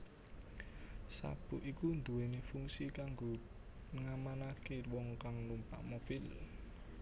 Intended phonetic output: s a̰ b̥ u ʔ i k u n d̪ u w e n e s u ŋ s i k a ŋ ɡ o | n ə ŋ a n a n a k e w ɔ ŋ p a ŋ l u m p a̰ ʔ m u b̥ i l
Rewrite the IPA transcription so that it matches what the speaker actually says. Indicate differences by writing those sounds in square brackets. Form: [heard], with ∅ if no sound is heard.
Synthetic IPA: s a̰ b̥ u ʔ i k u n d̪ u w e n e [f] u ŋ s i k a ŋ ɡ o | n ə ŋ a [m] a n a k e w ɔ ŋ [k] a ŋ l u m p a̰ ʔ m [o] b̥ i l

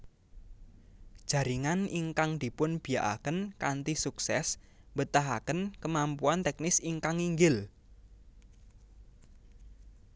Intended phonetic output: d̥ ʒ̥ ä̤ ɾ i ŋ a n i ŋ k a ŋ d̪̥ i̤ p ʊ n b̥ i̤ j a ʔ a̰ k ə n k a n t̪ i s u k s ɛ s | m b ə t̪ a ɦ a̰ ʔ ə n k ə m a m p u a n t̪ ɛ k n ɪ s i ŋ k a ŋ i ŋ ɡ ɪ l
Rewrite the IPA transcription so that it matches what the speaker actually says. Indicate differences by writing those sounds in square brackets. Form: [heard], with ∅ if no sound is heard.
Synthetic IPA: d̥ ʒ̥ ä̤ ɾ i ŋ a n i ŋ k a ŋ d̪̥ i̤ p ʊ n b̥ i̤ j a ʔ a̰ k ə n k a n t̪ i s u k s ɛ s | m b ə t̪ a ɦ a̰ [k] ə n k ə m a m p u a n t̪ ɛ k n ɪ s i ŋ k a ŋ i ŋ ɡ ɪ l

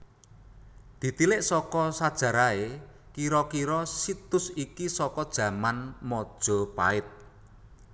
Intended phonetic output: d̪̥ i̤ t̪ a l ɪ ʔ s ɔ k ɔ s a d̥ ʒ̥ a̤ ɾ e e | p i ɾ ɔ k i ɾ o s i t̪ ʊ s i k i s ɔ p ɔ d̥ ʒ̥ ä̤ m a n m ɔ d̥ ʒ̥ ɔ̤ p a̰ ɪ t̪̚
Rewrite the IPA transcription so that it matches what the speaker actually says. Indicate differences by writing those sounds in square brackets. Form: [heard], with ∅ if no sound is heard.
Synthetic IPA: d̪̥ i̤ t̪ [i] l ɪ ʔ s ɔ k ɔ s a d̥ ʒ̥ a̤ ɾ [a] e | [k] i ɾ ɔ k i ɾ [ɔ] s i t̪ ʊ s i k i s ɔ [k] ɔ d̥ ʒ̥ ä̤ m a n m ɔ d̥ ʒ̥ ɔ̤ p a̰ ɪ t̪̚

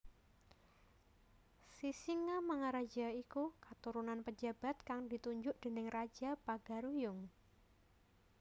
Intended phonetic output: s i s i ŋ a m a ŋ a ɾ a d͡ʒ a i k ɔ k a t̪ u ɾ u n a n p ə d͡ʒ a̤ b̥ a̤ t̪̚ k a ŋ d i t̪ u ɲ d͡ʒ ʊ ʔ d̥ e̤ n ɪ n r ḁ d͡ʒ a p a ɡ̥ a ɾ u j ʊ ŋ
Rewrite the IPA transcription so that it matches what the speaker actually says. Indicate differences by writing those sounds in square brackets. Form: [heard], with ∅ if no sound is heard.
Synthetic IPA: s i s i ŋ a m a ŋ a ɾ a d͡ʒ a i k [u] k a t̪ u ɾ u n a n p ə d͡ʒ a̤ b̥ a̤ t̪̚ k a ŋ d i t̪ u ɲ d͡ʒ ʊ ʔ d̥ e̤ n ɪ [ŋ] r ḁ d͡ʒ a p a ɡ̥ a ɾ u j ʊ ŋ

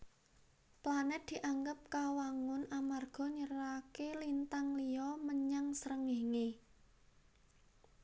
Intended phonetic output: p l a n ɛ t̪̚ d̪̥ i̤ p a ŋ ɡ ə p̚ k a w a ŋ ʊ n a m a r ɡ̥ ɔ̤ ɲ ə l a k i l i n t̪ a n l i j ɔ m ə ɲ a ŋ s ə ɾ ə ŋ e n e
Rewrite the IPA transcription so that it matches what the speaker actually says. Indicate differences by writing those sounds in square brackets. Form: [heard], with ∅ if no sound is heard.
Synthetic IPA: p l a n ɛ t̪̚ d̪̥ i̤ [ʔ] a ŋ ɡ ə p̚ k a w a ŋ ʊ n a m a r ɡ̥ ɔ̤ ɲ ə [ɾ] a k [e] l i n t̪ a [ŋ] l i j ɔ m ə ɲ a ŋ s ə ɾ ə ŋ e [ŋ] e

